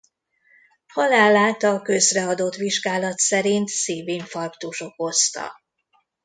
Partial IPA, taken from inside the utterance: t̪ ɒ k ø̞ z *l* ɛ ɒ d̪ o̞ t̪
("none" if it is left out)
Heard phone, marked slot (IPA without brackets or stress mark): r